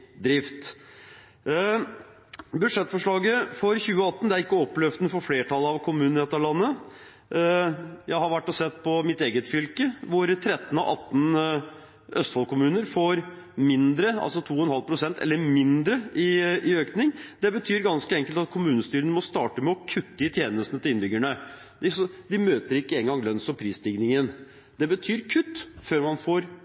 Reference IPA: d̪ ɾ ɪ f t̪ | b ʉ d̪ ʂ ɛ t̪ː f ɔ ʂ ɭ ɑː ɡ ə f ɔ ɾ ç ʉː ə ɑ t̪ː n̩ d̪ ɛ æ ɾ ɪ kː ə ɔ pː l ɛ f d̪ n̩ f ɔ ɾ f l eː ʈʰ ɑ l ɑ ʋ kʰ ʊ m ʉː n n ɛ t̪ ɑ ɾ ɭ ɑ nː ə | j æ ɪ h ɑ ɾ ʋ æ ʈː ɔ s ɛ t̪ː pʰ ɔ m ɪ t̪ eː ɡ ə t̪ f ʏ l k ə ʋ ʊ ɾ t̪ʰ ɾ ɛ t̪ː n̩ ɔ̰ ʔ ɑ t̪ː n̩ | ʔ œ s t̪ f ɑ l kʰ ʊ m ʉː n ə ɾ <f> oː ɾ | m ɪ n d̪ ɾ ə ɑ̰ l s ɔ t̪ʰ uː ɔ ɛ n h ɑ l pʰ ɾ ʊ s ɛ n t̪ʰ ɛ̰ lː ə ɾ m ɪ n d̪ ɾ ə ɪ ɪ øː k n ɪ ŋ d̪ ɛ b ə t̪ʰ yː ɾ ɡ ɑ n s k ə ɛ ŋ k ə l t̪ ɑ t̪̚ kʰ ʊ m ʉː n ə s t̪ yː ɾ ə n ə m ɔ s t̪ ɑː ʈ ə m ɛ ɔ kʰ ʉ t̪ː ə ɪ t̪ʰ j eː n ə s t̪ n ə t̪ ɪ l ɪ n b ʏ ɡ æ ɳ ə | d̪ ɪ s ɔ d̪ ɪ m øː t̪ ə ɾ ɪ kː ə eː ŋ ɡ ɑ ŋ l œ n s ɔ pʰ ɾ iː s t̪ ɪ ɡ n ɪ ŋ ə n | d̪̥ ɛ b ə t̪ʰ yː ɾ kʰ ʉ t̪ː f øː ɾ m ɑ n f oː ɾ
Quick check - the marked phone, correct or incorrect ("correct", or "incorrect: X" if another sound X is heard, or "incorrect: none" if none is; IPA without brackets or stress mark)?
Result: correct